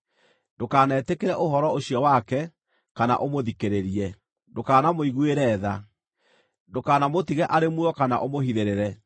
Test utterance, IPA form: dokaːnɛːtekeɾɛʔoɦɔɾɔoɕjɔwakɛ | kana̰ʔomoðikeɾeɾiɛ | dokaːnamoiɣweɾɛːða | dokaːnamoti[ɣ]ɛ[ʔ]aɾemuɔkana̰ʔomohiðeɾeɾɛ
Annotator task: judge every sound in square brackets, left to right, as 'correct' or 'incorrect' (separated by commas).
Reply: correct, correct